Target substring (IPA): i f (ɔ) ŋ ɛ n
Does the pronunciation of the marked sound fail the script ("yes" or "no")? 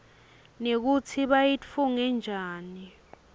yes